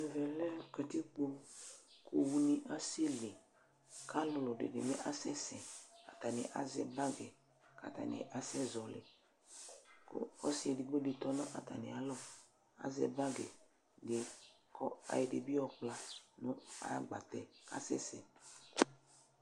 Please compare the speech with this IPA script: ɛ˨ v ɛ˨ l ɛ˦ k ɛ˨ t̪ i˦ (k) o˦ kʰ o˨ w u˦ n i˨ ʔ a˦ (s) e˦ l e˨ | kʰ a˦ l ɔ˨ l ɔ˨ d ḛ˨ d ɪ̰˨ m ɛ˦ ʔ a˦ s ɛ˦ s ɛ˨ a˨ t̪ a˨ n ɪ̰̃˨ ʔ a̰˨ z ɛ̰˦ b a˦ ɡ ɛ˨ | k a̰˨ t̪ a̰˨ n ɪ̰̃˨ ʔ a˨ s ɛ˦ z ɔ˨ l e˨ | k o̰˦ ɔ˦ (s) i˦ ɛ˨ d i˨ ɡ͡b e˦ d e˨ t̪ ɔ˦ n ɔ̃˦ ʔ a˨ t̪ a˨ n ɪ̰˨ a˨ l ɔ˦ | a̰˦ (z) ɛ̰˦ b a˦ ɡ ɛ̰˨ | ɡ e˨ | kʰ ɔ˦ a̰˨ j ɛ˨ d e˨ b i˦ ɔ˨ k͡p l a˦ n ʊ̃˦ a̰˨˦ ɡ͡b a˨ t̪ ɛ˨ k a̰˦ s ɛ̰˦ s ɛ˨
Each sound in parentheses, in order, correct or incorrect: incorrect: k͡p, correct, correct, correct

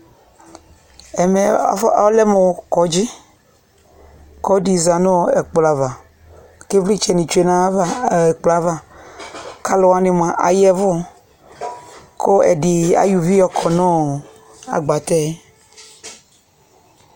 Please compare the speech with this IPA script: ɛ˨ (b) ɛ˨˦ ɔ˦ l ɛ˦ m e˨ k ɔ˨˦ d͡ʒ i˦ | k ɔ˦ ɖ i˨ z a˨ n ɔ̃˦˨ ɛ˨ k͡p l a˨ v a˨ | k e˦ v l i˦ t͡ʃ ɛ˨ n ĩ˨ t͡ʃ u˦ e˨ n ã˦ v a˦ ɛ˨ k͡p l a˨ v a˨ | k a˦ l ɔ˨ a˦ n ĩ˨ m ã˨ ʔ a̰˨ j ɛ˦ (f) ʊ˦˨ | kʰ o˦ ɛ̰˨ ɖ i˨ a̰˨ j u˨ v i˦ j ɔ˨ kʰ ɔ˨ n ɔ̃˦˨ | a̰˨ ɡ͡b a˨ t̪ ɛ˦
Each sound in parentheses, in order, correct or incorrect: incorrect: m, incorrect: v

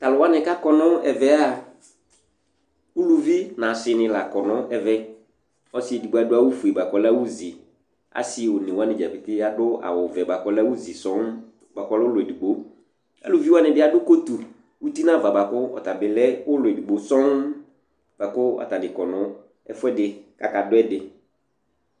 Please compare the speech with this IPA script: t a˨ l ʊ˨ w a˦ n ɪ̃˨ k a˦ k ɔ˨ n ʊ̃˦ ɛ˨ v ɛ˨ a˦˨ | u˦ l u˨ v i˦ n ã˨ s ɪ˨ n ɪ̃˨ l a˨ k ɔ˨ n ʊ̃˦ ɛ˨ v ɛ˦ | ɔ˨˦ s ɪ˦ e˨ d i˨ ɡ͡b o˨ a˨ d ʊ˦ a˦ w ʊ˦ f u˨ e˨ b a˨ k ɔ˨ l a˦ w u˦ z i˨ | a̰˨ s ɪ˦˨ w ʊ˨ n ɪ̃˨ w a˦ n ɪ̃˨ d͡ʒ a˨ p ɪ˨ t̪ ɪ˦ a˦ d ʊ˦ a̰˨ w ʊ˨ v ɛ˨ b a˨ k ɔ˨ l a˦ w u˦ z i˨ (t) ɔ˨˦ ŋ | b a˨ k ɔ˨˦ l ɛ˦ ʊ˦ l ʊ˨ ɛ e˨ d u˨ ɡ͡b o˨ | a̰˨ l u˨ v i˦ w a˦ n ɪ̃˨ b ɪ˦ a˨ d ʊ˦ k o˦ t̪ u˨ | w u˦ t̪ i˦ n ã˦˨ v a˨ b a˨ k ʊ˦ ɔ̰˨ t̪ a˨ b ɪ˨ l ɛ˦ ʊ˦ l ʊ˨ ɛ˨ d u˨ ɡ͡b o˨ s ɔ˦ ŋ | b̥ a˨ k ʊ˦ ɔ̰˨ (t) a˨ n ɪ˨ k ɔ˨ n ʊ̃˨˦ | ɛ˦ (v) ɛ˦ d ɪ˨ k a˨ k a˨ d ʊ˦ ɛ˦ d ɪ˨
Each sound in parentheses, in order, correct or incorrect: incorrect: s, correct, incorrect: f

